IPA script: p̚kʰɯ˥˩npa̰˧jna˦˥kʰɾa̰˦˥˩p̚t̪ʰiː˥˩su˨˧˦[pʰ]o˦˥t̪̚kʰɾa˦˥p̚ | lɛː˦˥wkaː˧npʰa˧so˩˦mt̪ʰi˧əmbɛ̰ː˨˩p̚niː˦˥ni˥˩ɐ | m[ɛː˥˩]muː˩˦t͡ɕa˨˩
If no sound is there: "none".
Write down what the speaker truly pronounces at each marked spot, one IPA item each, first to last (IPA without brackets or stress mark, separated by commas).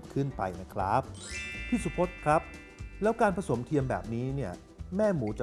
pʰ, ɛː˥˩